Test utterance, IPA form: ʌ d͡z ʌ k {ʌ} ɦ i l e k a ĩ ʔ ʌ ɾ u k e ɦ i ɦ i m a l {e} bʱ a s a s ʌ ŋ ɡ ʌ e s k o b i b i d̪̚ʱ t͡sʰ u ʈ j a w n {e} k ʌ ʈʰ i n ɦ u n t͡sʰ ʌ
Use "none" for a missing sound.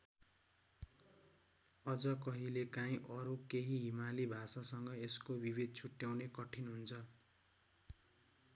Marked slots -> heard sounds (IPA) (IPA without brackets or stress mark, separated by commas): ʌ, i, e